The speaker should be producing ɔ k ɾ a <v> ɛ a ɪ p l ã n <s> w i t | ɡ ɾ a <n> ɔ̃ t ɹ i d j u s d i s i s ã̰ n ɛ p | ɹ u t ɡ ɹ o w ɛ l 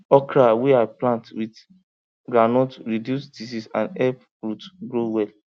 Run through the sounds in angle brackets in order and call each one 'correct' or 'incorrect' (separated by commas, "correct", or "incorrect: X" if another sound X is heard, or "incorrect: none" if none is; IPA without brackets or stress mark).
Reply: incorrect: w, incorrect: t, correct